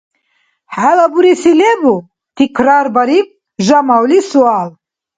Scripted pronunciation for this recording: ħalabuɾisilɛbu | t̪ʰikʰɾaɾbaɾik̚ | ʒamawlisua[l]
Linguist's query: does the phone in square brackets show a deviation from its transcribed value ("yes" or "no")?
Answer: no